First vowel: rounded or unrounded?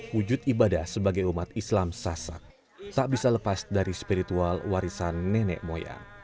rounded